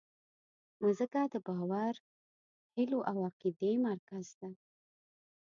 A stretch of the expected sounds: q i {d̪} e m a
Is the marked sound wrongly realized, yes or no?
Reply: no